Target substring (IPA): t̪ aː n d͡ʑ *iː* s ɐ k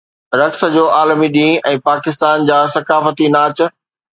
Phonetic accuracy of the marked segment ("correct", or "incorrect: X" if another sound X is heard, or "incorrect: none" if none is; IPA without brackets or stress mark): incorrect: aː